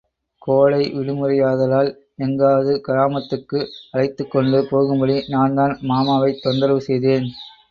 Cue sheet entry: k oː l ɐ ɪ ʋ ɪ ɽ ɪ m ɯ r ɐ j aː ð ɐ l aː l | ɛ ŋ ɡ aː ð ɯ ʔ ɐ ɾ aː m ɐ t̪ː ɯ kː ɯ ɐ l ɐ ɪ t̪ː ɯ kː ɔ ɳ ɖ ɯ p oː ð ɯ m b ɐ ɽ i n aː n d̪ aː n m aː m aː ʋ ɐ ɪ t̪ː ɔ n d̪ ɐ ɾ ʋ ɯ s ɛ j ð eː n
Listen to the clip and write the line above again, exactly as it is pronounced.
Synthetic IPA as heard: k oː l ɐ ɪ ʋ ɪ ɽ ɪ m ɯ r ɐ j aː ð ɐ l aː l | ɛ ŋ ɡ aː ð ɯ k ɐ ɾ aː m ɐ t̪ː ɯ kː ɯ ɐ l ɐ ɪ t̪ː ɯ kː ɔ ɳ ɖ ɯ p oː ɣ ɯ m b ɐ ɽ i n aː n d̪ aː n m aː m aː ʋ ɐ ɪ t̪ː ɔ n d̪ ɐ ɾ ʋ ɯ s ɛ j ð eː n